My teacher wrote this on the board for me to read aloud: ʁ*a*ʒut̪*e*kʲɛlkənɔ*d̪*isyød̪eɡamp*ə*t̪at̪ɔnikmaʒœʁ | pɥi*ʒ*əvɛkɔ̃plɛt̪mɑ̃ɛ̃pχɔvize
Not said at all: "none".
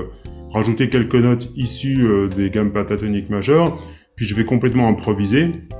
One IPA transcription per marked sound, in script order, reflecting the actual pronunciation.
a, e, t̪, a, ʒ

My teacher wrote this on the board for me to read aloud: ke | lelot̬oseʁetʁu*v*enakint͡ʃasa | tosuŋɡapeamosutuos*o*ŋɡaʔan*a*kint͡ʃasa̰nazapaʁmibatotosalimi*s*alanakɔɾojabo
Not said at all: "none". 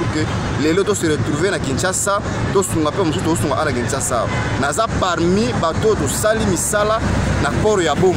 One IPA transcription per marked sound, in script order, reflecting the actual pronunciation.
v, u, a, s

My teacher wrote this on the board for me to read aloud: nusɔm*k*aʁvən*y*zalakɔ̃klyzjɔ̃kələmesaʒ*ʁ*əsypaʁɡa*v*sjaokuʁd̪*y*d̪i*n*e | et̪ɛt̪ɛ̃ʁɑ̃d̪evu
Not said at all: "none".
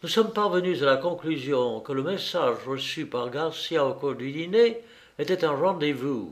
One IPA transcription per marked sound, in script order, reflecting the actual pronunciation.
p, y, ʁ, ʁ, y, n

